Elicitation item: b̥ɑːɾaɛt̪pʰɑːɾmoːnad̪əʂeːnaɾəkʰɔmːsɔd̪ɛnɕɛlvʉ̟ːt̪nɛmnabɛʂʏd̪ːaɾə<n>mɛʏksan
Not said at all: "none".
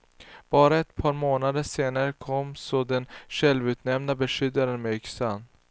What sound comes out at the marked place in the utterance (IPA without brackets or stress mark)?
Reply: n